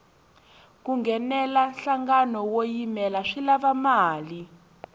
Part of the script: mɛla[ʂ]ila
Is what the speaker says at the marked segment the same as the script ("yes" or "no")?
yes